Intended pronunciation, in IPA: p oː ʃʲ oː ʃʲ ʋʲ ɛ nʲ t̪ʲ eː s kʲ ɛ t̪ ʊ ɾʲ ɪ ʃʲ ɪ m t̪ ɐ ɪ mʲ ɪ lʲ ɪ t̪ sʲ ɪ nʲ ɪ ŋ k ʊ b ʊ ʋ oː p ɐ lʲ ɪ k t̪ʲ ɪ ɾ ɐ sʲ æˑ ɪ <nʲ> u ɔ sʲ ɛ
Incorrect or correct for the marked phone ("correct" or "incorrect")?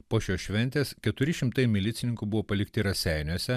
correct